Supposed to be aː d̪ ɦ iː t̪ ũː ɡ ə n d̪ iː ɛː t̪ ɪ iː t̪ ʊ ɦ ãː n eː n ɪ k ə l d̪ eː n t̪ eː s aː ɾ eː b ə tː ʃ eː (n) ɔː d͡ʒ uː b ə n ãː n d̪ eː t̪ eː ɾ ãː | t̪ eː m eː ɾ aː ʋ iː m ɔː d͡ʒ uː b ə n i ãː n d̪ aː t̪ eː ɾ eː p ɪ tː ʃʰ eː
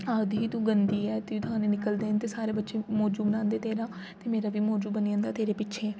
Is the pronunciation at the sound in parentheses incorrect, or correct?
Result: incorrect: m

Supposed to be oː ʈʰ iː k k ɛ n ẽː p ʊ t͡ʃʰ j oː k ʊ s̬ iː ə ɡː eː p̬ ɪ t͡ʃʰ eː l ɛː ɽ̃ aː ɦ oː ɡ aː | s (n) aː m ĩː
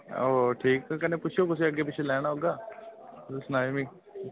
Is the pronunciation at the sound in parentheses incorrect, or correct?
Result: correct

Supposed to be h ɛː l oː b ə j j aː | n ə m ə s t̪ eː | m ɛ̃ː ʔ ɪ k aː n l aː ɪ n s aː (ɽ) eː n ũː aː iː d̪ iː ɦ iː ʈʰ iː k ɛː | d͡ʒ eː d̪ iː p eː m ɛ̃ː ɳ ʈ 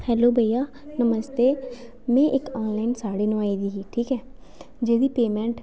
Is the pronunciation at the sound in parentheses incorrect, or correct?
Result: correct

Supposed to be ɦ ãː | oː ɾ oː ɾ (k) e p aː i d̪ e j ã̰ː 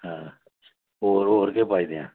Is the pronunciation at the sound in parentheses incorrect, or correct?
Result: correct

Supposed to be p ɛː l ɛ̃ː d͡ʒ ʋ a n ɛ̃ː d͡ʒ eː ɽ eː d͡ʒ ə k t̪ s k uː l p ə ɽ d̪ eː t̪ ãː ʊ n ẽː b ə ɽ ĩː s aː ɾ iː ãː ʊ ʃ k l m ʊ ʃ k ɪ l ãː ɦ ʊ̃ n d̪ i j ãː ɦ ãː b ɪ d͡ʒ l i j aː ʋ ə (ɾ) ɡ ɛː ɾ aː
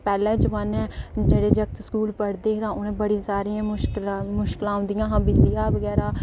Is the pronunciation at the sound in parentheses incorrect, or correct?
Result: incorrect: none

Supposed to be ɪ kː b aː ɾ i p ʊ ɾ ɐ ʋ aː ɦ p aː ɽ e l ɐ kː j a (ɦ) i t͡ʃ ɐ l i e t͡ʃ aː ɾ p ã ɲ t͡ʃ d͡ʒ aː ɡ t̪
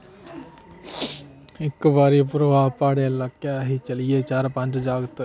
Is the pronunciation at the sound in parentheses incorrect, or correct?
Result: correct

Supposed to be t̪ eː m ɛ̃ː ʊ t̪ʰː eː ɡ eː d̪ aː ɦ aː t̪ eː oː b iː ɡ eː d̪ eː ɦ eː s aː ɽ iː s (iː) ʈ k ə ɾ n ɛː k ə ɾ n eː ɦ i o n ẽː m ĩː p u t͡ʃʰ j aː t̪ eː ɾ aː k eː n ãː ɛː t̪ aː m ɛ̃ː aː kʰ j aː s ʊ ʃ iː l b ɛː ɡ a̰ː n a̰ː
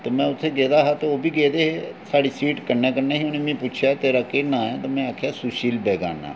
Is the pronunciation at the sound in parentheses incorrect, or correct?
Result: correct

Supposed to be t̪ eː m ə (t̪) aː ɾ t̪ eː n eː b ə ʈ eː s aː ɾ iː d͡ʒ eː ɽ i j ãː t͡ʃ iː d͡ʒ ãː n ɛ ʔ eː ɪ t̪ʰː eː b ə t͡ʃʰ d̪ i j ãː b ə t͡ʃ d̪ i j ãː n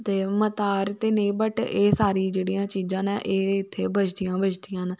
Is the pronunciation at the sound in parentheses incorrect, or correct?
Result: correct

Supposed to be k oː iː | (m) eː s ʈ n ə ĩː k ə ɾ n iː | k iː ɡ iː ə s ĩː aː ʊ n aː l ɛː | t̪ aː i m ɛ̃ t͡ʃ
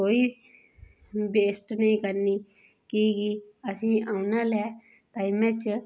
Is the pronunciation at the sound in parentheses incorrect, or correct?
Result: incorrect: b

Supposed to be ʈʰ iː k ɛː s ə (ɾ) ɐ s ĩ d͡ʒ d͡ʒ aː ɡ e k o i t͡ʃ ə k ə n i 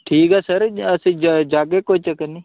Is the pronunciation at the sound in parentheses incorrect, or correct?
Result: correct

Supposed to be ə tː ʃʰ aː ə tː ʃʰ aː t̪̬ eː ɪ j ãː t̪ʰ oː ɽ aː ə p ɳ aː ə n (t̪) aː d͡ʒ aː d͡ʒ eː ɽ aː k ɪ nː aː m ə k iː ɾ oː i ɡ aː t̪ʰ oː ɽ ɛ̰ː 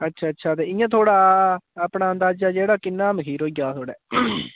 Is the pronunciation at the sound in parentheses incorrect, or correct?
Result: incorrect: d̪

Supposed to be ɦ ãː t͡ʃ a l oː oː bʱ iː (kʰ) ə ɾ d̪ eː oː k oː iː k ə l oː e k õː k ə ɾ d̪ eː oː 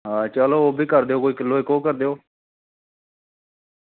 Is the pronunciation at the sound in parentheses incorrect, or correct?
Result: incorrect: k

